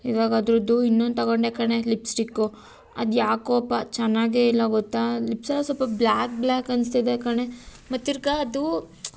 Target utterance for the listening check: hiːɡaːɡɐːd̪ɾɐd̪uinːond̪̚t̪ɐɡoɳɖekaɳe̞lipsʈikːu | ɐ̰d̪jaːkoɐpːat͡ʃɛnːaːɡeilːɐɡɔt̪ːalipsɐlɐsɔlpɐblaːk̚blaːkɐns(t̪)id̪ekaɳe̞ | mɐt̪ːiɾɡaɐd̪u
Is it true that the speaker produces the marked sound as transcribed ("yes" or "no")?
yes